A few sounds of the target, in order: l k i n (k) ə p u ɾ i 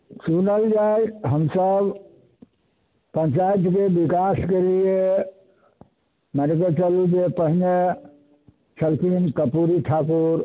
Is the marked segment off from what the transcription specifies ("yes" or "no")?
no